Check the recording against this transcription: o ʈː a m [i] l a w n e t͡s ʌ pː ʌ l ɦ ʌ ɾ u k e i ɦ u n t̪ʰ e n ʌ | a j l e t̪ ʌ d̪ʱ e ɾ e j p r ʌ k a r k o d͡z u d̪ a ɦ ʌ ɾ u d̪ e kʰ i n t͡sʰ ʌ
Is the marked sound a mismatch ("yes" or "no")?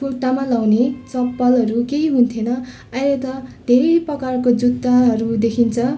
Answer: yes